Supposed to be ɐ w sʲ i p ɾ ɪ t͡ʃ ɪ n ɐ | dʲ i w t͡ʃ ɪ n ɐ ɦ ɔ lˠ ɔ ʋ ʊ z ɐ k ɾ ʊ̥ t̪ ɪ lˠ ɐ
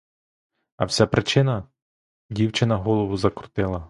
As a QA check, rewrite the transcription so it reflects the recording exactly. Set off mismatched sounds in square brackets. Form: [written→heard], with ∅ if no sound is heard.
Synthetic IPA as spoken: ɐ w sʲ [i→a] p ɾ ɪ t͡ʃ ɪ n ɐ | dʲ i w t͡ʃ ɪ n ɐ ɦ ɔ lˠ ɔ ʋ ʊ z ɐ k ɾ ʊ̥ t̪ ɪ lˠ ɐ